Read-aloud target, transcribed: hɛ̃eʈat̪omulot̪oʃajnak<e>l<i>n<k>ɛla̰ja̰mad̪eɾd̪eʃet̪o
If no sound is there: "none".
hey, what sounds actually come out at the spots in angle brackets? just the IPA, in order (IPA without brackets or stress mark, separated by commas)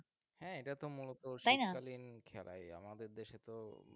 a, i, kʰ